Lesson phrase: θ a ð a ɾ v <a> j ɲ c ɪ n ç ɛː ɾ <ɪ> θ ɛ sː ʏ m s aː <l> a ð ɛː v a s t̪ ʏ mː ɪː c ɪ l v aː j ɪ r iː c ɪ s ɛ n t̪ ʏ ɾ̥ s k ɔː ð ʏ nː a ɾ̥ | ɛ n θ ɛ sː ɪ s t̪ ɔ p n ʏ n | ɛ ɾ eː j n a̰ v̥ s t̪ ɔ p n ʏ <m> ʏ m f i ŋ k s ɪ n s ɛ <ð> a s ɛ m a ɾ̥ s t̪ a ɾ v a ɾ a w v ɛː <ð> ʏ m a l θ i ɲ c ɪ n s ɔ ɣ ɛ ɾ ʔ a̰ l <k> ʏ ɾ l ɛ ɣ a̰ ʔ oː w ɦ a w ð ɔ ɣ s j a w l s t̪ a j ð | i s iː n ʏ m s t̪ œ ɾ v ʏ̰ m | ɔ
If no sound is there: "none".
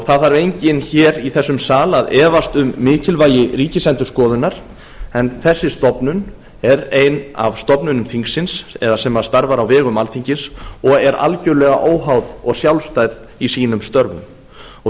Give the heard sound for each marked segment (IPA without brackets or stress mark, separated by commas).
e, i, l, n, ð, ɣ, c